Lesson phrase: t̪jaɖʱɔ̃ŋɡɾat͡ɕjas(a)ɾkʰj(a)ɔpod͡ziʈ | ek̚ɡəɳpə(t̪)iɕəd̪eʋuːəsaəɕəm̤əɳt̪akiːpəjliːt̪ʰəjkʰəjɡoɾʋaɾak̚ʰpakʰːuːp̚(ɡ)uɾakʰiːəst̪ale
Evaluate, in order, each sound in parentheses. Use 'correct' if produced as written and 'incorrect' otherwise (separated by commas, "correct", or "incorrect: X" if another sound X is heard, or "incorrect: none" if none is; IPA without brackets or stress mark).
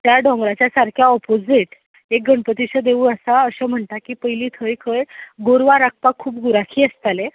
correct, correct, correct, correct